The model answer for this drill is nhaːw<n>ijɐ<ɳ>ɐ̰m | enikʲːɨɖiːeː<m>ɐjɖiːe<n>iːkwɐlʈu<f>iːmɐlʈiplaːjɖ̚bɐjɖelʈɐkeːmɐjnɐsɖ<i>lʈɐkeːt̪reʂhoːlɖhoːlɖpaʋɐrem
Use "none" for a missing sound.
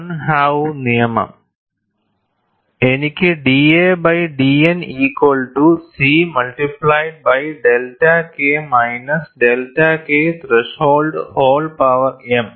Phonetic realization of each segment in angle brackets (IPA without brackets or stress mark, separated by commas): n, m, b, n, s, e